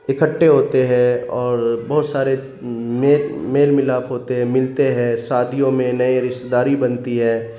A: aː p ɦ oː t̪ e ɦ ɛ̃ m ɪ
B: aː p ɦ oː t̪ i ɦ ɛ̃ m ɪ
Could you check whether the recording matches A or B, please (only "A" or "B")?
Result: A